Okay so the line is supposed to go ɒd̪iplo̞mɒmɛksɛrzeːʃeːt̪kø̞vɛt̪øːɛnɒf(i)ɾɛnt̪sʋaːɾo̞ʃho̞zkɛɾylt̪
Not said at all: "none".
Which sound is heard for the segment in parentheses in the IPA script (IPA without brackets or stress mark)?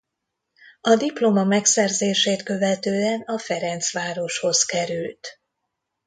ɛ